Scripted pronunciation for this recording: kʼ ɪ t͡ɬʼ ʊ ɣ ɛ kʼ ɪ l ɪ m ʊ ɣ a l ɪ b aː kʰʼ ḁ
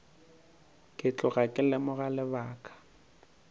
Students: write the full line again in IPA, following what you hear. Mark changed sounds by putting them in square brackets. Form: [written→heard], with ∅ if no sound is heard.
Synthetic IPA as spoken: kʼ ɪ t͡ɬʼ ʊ ɣ [ɛ→a] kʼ ɪ l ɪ m ʊ ɣ a l ɪ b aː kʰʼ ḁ